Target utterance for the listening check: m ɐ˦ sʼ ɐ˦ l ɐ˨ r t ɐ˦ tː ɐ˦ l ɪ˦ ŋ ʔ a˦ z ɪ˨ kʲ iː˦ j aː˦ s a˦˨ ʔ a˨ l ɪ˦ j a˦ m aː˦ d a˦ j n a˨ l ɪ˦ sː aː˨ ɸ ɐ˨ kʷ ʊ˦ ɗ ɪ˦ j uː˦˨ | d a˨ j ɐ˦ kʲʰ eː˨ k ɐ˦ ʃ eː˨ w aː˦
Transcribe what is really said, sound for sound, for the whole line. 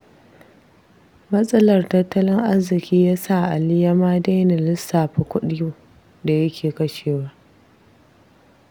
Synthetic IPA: m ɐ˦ sʼ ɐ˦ l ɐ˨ r t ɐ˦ tː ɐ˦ l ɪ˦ ŋ ʔ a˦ z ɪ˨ kʲ iː˦ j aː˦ s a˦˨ ʔ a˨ l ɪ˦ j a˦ m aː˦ d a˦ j n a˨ l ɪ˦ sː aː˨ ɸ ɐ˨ kʷ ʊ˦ ɗ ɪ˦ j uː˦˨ | d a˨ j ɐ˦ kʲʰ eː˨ k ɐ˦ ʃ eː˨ w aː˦